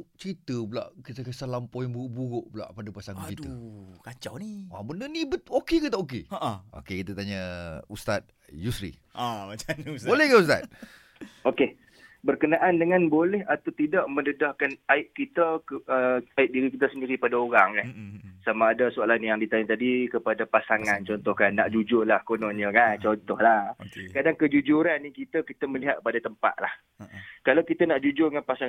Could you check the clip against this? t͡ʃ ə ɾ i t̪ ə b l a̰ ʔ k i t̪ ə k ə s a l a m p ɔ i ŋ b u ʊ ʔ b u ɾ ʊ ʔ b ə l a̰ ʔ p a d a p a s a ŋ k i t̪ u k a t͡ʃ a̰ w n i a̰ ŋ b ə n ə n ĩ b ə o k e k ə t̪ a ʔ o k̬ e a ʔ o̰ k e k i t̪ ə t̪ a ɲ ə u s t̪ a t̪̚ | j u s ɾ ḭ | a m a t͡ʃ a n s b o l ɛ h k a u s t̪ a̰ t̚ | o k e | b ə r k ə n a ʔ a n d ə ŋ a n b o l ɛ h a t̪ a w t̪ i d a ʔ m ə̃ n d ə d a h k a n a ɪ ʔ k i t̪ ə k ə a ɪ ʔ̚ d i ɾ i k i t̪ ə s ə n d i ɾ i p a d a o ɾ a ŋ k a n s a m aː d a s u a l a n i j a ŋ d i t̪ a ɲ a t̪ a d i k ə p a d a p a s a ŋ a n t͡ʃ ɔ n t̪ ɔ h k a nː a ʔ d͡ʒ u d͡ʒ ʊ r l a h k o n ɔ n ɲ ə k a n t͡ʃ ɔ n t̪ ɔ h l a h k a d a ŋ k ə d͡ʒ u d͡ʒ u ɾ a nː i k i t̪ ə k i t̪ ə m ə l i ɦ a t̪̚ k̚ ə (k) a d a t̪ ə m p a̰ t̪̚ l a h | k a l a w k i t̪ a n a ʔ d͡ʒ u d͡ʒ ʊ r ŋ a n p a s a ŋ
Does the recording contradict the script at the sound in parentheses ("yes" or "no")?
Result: yes